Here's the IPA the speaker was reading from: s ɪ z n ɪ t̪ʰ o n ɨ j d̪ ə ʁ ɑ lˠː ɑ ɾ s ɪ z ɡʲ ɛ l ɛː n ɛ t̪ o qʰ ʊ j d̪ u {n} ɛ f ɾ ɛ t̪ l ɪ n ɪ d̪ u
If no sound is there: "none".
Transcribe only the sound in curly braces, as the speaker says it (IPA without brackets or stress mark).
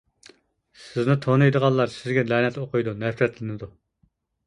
n